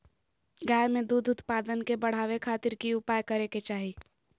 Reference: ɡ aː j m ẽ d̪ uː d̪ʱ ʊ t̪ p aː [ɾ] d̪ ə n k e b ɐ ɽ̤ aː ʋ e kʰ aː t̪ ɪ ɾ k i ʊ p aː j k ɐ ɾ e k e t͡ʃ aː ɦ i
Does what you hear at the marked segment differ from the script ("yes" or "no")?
yes